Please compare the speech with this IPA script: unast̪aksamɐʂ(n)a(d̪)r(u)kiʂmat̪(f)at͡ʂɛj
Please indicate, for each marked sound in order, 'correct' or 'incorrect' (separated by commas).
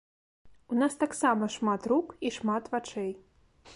incorrect, incorrect, correct, incorrect